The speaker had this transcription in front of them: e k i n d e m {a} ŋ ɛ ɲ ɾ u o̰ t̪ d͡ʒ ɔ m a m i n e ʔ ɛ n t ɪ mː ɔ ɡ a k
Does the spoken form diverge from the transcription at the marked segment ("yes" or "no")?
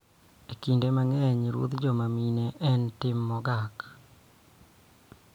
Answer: no